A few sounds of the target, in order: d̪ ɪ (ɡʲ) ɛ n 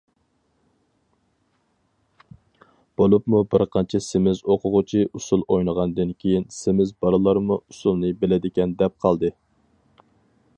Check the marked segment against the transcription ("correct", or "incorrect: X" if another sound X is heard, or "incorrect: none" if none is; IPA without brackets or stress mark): incorrect: kʲ